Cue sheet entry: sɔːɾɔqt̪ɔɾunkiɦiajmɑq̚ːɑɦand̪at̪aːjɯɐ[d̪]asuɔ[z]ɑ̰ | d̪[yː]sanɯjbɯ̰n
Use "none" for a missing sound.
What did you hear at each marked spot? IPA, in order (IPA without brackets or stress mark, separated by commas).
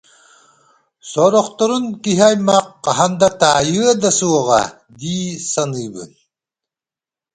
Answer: d̪, ʁ, iː